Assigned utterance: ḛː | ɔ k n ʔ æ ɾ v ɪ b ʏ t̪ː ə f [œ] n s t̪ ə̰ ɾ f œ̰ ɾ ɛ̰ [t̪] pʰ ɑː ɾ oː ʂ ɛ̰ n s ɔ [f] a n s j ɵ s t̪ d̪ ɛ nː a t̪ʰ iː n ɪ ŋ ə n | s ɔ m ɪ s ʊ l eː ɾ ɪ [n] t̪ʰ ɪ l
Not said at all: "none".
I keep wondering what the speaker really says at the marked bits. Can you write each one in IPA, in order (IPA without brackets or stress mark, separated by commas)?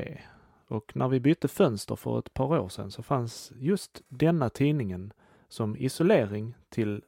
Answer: œ, t̪, f, ŋ